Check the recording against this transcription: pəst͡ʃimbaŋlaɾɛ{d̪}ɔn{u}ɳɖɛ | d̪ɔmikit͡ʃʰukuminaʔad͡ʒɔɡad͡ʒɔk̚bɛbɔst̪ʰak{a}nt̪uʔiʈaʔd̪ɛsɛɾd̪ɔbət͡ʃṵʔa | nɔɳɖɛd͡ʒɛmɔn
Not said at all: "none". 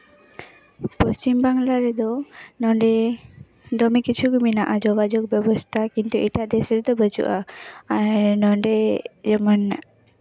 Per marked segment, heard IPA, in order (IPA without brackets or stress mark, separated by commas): d̪, ɔ, i